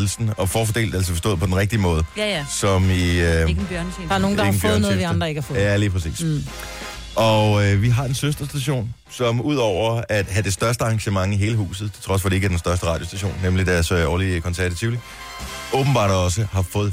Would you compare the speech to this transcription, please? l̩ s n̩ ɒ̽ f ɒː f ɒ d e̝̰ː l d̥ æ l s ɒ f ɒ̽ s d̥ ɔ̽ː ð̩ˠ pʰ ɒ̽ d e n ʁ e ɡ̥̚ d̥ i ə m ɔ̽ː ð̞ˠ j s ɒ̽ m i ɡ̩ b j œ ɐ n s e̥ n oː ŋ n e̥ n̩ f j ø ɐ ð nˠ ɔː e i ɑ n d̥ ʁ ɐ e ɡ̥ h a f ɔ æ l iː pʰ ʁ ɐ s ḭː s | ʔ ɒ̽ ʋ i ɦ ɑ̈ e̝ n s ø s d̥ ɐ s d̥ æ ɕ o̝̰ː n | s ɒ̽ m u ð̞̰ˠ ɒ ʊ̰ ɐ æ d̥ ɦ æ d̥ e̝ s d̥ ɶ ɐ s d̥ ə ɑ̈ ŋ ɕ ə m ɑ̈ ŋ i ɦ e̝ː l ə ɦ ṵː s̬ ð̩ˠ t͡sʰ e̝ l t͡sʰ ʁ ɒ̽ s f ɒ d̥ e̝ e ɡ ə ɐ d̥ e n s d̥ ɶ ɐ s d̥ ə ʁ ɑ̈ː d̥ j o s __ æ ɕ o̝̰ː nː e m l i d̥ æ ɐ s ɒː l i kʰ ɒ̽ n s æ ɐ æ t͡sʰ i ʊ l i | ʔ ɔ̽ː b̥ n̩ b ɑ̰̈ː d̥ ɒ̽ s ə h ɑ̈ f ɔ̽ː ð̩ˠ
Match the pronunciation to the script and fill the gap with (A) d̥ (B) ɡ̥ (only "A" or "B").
A